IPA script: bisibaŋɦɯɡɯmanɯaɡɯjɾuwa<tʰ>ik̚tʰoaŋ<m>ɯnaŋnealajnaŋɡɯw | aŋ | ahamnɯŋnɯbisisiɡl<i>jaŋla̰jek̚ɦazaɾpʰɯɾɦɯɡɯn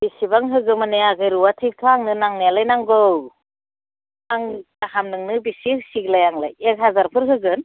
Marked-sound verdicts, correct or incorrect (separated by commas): correct, incorrect, incorrect